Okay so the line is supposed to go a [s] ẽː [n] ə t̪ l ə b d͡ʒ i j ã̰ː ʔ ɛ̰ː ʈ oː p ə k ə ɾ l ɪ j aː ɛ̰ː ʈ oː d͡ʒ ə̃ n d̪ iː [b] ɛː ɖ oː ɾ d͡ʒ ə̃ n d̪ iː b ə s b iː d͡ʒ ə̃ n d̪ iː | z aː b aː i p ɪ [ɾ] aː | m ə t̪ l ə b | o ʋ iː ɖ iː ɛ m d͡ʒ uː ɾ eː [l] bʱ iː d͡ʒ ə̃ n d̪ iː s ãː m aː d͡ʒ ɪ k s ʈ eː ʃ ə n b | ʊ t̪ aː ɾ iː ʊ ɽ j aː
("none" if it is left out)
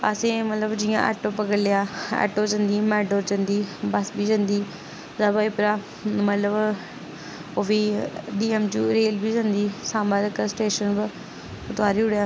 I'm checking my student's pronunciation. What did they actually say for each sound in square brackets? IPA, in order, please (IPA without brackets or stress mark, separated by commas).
s, m, m, ɾ, l